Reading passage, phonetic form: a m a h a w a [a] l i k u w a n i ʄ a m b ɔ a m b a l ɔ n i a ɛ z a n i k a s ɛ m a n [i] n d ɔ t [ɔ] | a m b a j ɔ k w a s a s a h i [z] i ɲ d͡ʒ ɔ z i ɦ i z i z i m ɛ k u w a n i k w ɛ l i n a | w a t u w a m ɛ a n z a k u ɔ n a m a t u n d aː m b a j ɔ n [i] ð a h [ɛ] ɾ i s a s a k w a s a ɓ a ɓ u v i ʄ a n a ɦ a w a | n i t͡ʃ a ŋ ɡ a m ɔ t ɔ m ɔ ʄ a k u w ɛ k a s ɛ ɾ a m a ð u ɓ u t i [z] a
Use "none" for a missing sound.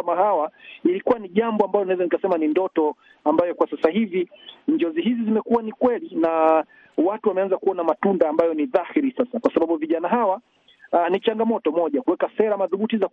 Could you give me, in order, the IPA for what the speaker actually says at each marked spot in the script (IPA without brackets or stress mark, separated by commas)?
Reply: i, i, ɔ, v, i, i, z